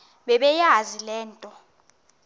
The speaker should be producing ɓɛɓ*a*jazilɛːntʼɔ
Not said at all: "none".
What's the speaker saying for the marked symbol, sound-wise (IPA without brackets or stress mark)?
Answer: ɛ